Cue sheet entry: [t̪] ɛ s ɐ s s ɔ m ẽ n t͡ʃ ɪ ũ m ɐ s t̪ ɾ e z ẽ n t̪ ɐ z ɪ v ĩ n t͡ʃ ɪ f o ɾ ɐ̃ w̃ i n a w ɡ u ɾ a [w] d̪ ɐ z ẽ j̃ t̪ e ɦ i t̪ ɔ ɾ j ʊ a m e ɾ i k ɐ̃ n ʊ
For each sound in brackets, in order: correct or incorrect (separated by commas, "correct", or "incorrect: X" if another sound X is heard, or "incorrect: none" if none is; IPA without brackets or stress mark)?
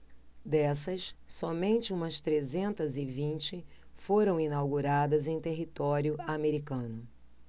incorrect: d̪, incorrect: none